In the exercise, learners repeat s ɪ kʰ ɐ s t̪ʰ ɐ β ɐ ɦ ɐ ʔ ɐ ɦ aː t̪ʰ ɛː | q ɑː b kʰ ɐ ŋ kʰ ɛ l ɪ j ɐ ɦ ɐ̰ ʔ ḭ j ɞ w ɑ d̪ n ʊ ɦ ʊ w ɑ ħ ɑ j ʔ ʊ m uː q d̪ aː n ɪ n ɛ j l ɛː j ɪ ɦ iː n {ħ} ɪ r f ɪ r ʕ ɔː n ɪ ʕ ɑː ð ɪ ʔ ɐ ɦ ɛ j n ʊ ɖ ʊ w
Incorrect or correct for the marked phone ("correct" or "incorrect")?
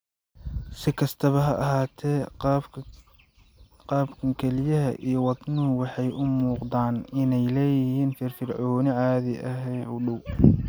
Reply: incorrect